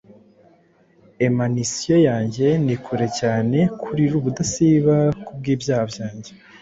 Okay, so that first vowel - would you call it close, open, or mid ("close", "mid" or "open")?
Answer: mid